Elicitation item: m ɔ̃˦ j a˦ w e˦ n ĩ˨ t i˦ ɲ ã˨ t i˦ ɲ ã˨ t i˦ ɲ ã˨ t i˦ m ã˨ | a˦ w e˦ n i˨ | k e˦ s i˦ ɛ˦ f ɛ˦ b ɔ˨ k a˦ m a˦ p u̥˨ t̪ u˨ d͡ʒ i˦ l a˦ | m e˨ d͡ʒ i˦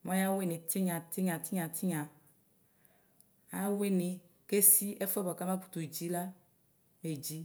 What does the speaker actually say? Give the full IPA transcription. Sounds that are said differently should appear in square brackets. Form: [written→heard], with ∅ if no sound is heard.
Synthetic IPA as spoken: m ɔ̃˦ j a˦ w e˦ n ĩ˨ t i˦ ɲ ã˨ t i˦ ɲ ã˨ t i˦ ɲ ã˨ t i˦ [m→ɲ] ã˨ | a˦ w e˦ n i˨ | k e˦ s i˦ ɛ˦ f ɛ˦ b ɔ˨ k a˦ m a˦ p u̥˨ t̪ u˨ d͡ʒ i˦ l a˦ | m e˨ d͡ʒ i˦

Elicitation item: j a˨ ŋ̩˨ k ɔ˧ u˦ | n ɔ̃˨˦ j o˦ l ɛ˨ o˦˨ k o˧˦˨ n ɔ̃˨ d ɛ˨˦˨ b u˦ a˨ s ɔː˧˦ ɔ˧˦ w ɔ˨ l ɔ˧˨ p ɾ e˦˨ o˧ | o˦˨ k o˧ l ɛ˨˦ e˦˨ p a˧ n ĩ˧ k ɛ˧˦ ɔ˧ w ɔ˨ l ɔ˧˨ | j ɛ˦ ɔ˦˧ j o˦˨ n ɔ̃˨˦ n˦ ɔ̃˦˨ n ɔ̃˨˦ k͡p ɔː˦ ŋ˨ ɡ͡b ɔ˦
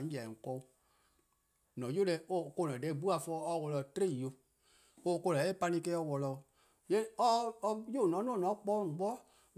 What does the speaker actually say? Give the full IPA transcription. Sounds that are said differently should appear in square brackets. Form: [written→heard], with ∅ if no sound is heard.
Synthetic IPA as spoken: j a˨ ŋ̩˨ k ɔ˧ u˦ | n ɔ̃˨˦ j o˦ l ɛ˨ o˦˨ k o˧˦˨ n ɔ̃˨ d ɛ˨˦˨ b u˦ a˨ [s→f] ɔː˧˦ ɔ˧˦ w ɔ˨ l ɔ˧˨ [p→t] ɾ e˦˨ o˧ | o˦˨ k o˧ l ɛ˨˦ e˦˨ p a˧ n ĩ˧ k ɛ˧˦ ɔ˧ w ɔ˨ l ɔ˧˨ | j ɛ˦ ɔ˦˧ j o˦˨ n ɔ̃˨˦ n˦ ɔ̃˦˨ n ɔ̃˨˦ k͡p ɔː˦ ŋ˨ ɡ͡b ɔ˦

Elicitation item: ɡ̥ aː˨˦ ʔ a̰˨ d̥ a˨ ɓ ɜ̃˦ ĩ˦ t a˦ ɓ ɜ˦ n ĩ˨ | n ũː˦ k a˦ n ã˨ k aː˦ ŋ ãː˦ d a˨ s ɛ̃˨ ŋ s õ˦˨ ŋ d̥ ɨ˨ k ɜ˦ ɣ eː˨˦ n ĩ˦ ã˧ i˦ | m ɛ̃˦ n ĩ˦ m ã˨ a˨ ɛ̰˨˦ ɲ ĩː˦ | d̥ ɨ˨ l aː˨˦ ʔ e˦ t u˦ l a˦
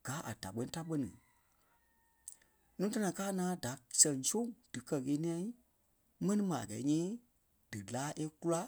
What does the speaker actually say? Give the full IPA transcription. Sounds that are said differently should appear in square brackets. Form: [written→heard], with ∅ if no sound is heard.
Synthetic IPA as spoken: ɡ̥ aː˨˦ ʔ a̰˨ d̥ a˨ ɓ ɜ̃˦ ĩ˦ t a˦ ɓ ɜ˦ n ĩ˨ | n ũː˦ [k→t] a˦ n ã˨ k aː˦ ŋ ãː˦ d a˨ s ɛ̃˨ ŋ s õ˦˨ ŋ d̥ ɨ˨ k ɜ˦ ɣ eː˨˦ n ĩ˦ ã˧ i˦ | m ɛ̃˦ n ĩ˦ m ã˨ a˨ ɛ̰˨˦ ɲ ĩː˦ | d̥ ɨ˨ l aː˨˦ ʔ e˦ [t→k] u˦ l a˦

